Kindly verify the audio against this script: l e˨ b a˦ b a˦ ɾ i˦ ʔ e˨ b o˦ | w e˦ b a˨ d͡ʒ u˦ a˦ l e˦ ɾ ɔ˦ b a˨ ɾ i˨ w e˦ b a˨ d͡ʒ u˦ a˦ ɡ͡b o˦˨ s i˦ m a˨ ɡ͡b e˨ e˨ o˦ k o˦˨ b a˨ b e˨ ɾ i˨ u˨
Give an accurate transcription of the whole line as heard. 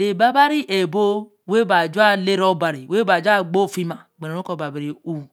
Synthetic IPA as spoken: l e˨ b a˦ b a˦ ɾ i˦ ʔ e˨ b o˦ | w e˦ b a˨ d͡ʒ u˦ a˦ l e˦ ɾ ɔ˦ b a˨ ɾ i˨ w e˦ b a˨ d͡ʒ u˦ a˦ ɡ͡b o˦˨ f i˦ m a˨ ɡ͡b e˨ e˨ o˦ k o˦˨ b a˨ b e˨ ɾ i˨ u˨

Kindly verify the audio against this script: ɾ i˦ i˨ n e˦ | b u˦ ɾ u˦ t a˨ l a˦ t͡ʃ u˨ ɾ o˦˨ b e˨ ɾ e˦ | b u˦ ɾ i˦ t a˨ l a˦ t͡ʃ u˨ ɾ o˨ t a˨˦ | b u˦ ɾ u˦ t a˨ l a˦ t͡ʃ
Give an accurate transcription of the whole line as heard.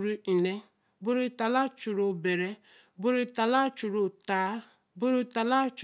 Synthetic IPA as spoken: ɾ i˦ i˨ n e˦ | b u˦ ɾ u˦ t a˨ l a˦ t͡ʃ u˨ ɾ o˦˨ b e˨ ɾ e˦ | b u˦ ɾ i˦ t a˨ l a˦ t͡ʃ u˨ ɾ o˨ t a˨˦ | b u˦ ɾ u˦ t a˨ l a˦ t͡ʃ

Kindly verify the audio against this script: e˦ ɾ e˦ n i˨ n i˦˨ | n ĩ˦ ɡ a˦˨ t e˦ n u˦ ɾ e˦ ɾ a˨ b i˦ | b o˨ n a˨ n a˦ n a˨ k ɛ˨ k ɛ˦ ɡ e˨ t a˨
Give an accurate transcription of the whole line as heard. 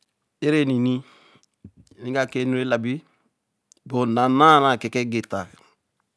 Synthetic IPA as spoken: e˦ ɾ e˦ n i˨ n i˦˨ | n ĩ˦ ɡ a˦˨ k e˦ n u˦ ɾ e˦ l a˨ b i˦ | b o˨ n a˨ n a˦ n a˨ k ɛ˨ k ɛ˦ ɡ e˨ t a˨

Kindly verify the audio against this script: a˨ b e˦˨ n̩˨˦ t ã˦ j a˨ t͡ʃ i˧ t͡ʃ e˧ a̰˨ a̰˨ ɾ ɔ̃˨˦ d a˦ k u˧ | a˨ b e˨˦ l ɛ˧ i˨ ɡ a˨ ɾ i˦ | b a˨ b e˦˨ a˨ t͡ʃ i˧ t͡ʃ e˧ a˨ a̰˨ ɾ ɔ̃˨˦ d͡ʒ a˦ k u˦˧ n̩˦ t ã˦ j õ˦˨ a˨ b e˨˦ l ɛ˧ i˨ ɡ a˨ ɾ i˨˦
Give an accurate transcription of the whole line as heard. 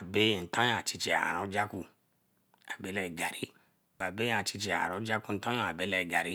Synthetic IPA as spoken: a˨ b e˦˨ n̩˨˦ t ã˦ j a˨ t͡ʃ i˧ t͡ʃ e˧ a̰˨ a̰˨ ɾ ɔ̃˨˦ d͡ʒ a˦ k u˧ | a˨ b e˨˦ l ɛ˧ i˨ ɡ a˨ ɾ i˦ | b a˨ b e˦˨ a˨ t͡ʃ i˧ t͡ʃ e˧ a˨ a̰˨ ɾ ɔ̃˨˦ d͡ʒ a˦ k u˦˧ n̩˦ t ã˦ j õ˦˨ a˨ b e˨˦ l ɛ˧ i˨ ɡ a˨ ɾ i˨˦

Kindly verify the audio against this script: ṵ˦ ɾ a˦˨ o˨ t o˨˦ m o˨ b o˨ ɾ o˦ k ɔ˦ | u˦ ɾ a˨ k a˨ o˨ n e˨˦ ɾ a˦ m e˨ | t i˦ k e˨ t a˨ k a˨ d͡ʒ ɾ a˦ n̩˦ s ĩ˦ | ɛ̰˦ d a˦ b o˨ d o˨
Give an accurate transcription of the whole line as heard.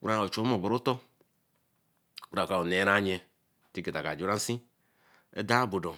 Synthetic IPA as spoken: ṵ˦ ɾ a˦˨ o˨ t͡ʃ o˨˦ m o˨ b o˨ ɾ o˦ t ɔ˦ | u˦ ɾ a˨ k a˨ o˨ n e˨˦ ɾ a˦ ɲ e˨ | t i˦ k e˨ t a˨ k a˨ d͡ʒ ɾ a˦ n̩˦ s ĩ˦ | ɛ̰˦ d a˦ b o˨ d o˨

